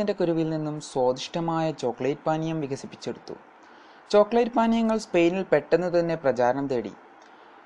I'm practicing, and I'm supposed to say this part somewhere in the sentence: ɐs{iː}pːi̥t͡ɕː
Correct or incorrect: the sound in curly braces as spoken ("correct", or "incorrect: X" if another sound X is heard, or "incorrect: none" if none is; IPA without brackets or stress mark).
incorrect: i